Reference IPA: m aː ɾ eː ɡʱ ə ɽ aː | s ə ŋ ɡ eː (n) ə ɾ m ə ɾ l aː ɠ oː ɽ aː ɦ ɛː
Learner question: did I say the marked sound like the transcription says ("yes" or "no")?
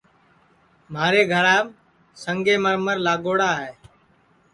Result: no